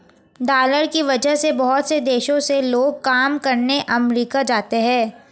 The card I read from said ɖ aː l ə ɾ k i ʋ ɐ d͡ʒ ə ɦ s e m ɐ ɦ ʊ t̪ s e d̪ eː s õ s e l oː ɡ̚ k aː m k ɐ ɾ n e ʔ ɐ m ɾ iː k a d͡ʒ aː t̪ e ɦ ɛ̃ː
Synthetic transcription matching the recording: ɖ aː l ə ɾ k i ʋ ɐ d͡ʒ ə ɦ s e b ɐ ɦ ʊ t̪ s e d̪ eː ʃ õ s e l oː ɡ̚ k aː m k ɐ ɾ n e ʔ ɐ m ɾ iː k a d͡ʒ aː t̪ e ɦ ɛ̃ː